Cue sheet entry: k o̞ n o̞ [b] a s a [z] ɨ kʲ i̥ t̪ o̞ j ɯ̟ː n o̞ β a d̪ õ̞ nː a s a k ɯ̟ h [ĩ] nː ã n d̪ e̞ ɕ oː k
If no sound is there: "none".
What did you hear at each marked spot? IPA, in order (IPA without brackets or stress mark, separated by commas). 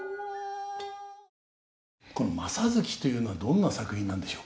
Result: m, z, ĩ